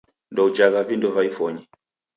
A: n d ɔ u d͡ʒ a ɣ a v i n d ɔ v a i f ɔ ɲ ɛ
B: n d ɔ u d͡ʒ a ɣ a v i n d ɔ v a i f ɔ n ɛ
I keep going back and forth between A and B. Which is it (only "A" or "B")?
A